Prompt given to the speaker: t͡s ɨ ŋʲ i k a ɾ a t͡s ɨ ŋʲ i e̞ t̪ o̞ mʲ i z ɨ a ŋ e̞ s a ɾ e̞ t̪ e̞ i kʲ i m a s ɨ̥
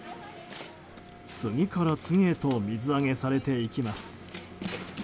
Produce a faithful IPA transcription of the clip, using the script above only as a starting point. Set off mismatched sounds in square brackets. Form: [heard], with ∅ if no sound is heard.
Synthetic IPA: t͡s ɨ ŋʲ i k a ɾ a t͡s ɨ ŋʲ i e̞ t̪ o̞ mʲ i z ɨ a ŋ e̞ s a ɾ e̞ t̪ e̞ i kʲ i m a s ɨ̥